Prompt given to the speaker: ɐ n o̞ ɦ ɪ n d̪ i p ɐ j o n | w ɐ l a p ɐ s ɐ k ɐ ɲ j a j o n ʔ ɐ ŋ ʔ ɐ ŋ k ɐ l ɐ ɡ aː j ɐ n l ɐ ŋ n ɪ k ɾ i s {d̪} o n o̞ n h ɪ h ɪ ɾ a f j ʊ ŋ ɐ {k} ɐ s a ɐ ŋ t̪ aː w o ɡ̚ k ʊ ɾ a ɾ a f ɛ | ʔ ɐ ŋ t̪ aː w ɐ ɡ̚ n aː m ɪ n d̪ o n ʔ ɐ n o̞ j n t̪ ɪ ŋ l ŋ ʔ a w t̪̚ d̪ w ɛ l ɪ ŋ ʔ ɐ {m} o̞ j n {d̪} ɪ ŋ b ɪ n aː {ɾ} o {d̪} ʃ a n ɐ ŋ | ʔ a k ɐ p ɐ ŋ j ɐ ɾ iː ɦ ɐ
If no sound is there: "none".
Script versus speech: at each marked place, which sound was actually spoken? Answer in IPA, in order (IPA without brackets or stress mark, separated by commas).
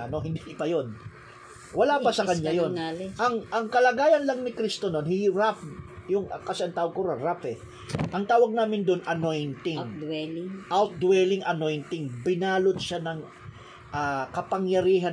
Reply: t̪, k, n, t̪, l, t̪